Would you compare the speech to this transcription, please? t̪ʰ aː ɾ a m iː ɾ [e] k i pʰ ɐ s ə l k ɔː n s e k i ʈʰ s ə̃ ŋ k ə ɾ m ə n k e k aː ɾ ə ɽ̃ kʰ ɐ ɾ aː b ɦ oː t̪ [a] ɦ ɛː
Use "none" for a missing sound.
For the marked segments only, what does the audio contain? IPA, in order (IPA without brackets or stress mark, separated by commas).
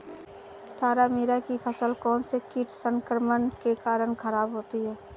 a, i